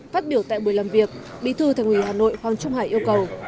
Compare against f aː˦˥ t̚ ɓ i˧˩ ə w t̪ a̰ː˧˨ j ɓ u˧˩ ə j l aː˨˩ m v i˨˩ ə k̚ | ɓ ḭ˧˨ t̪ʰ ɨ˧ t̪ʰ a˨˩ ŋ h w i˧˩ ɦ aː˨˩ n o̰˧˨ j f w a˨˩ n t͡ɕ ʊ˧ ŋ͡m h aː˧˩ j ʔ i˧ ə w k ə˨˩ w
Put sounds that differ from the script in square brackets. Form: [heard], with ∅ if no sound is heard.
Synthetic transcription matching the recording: f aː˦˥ t̚ ɓ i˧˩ ə w t̪ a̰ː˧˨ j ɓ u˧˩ ə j l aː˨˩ m v i˨˩ ə k̚ | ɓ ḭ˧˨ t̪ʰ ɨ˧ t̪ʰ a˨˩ ŋ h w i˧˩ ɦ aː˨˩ n o̰˧˨ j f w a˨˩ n t͡ɕ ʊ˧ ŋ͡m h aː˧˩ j ʔ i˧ ə w k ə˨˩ w